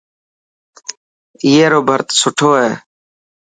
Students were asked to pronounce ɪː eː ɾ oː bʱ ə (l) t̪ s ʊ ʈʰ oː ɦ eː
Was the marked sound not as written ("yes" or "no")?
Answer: yes